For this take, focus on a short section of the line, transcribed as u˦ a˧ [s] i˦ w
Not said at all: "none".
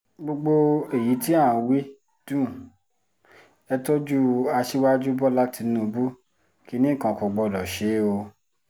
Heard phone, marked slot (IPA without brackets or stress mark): ʃ